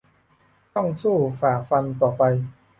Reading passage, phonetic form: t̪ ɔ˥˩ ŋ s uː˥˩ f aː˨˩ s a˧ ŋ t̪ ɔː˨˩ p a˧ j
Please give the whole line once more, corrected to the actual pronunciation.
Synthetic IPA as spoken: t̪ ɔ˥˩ ŋ s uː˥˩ f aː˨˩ f a˧ n t̪ ɔː˨˩ p a˧ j